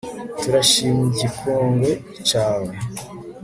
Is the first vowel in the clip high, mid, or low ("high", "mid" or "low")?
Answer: high